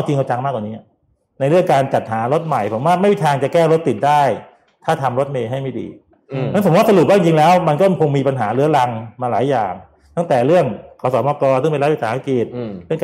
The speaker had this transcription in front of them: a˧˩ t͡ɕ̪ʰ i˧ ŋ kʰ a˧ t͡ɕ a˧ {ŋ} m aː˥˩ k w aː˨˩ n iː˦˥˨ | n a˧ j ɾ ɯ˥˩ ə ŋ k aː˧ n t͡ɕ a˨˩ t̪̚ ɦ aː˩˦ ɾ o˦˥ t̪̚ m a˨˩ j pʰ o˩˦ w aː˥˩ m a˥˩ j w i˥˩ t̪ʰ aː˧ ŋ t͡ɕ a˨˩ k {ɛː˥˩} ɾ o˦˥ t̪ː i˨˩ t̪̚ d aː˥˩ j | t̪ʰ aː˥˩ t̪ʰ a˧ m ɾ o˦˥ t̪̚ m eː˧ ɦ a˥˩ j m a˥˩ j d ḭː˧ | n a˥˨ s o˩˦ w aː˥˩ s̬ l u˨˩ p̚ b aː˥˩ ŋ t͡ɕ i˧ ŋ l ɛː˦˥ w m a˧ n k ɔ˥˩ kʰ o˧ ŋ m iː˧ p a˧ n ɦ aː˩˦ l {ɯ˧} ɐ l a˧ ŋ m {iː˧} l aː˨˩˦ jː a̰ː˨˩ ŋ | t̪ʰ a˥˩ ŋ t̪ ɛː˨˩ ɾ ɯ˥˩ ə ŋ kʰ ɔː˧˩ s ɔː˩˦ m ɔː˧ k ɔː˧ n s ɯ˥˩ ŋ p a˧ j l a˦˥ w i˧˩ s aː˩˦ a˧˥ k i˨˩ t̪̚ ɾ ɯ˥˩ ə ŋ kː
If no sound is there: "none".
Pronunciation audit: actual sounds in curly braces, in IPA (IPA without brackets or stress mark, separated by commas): ŋ, ɛː˥˩, ɯ˦˥, aː˧